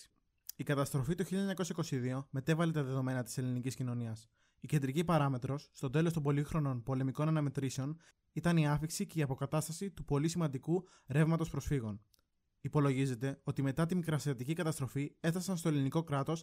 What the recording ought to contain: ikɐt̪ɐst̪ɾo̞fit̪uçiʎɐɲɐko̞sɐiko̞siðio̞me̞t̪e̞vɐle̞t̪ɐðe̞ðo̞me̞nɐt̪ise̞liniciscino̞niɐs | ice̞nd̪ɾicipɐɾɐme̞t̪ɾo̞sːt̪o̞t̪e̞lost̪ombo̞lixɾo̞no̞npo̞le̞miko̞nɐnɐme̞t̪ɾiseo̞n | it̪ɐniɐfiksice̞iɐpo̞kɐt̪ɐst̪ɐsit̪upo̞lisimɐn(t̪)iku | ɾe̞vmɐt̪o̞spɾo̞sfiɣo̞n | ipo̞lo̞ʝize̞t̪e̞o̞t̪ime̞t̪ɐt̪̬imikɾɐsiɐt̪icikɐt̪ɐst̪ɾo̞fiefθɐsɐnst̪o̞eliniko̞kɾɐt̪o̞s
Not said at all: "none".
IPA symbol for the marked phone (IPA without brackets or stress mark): d̪